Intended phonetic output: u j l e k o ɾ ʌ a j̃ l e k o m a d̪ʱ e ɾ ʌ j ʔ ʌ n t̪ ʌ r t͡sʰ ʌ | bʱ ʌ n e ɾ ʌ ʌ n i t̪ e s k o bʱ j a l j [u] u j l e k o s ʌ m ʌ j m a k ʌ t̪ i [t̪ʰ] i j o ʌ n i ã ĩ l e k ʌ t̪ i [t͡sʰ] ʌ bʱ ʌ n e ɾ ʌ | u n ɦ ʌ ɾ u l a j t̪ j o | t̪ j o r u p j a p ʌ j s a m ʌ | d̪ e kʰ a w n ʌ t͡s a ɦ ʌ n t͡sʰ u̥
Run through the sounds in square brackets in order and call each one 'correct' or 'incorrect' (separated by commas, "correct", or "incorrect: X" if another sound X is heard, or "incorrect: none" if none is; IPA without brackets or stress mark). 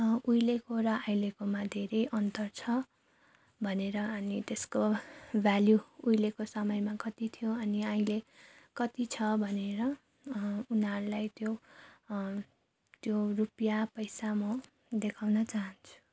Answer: correct, correct, correct